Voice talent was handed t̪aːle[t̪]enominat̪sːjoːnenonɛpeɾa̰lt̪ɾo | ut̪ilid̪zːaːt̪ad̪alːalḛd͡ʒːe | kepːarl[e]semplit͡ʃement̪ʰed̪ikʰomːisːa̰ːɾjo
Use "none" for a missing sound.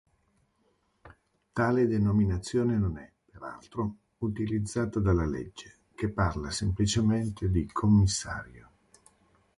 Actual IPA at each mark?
d̪, a

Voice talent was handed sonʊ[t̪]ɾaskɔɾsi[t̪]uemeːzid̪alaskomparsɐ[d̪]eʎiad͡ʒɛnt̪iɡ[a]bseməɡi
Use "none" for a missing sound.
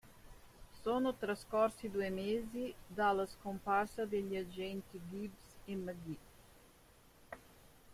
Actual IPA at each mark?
t̪, d̪, d̪, i

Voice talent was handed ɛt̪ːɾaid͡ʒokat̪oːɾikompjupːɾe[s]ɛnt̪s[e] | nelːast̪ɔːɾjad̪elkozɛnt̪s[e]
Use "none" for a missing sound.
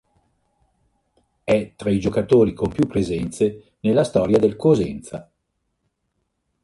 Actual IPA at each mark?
z, e, a

